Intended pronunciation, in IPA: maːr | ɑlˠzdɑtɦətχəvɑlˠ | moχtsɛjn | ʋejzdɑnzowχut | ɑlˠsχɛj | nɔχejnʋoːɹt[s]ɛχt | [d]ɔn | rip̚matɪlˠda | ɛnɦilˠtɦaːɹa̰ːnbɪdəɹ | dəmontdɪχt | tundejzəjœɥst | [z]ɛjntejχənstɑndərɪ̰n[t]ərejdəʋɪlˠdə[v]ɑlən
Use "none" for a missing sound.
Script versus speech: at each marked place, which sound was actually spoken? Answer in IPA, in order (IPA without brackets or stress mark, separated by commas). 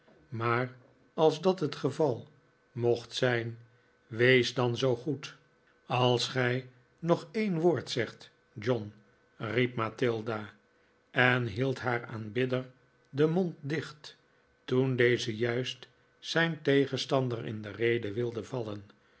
s, d͡ʒ, s, d, v